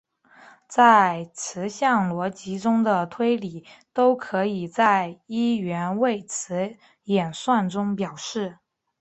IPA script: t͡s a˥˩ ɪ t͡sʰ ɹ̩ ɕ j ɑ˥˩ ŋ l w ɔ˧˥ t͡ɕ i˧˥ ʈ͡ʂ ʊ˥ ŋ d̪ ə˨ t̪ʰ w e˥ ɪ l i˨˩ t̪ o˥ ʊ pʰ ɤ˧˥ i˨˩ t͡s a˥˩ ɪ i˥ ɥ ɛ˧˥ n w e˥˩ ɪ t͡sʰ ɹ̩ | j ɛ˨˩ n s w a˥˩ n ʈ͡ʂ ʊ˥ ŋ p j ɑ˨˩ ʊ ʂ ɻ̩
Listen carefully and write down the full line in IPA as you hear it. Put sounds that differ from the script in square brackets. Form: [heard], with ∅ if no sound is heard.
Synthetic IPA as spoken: t͡s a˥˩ ɪ t͡sʰ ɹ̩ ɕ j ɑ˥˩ ŋ l w ɔ˧˥ t͡ɕ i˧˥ ʈ͡ʂ ʊ˥ ŋ d̪ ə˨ t̪ʰ w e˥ ɪ l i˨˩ t̪ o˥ ʊ [kʰ] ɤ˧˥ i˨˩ t͡s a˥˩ ɪ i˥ ɥ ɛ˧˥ n w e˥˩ ɪ t͡sʰ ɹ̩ | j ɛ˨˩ n s w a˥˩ n ʈ͡ʂ ʊ˥ ŋ p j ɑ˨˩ ʊ ʂ ɻ̩